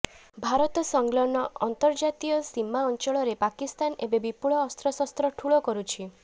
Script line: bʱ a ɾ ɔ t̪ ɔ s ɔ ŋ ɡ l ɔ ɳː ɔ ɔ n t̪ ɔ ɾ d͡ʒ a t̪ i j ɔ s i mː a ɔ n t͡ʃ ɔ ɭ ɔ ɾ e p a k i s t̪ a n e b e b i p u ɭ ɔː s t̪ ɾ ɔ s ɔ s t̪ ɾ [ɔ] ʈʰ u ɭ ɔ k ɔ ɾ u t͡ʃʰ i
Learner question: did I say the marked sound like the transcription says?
yes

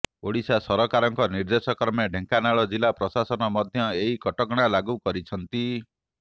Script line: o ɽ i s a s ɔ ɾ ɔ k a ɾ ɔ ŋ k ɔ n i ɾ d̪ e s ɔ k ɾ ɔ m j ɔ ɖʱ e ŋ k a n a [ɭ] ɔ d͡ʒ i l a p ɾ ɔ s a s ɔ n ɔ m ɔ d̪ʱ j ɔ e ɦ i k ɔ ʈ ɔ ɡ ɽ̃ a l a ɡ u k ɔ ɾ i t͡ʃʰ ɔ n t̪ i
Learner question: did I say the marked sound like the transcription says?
yes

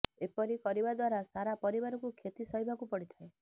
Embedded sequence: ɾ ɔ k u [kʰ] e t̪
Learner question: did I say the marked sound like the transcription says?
yes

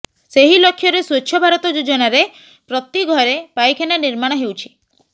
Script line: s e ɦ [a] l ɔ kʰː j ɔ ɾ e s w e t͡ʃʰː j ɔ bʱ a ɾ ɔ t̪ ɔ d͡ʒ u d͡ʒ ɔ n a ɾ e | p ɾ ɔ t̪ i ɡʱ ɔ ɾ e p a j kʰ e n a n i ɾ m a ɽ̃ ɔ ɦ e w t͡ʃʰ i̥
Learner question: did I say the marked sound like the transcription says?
no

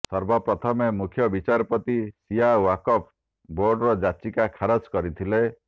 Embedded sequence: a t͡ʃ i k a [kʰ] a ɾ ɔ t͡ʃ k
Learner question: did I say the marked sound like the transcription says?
yes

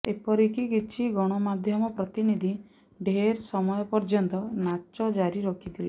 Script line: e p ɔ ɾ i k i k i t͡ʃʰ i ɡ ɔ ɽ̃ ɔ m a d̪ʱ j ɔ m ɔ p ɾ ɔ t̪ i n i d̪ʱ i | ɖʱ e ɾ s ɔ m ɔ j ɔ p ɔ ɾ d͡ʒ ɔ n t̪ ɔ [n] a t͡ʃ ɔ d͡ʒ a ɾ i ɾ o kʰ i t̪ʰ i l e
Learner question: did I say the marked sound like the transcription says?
yes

